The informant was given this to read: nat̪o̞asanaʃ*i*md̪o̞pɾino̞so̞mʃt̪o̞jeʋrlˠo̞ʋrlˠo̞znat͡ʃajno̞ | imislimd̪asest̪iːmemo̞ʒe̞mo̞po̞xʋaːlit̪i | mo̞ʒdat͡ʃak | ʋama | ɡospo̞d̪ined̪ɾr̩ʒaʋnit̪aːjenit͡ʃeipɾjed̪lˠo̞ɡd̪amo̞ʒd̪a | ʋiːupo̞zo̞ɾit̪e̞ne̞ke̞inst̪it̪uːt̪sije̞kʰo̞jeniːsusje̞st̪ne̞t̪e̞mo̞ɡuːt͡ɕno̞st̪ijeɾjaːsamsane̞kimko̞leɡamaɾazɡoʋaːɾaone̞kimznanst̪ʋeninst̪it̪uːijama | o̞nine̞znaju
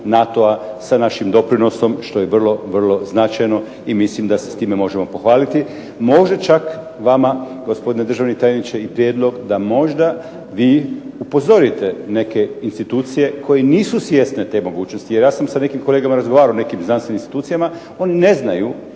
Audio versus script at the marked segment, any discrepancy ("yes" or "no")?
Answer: no